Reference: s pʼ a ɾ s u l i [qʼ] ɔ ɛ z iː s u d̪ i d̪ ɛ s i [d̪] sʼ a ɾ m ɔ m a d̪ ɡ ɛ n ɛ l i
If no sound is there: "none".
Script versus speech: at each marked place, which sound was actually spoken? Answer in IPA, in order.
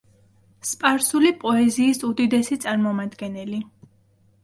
pʼ, t̪

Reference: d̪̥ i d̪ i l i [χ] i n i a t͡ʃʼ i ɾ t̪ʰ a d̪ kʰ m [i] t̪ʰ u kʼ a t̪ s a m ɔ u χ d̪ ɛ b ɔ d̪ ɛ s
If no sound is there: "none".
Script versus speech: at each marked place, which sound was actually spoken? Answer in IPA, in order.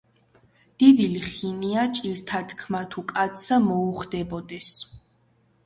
χ, a

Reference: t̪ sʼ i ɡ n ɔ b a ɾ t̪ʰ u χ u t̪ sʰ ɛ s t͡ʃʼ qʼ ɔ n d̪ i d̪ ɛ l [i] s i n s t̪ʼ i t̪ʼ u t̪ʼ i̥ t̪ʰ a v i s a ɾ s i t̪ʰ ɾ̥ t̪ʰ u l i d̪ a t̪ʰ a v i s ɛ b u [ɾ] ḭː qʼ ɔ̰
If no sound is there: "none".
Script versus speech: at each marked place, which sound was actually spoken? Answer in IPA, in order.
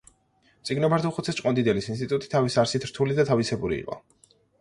i, ɾ

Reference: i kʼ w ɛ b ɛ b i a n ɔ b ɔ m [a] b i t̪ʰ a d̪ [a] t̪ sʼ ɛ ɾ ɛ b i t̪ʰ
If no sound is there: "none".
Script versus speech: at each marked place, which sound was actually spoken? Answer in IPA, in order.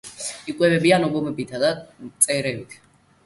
ɛ, a

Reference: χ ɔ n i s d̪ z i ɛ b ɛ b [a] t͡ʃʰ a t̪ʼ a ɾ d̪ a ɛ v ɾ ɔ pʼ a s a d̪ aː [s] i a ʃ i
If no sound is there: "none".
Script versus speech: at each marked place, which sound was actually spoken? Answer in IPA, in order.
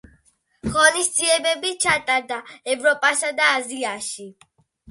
i, z

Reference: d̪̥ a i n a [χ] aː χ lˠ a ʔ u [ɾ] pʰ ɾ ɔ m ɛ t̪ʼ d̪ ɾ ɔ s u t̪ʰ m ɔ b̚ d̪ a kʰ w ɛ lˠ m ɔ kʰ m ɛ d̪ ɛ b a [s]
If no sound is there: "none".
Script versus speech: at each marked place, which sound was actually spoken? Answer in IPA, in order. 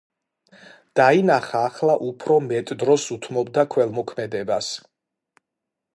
χ, none, s

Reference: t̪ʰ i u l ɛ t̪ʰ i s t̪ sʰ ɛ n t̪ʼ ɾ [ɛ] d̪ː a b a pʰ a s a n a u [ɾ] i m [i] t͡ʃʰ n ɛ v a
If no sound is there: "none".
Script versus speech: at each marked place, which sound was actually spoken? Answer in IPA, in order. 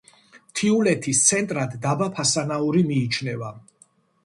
a, ɾ, iː

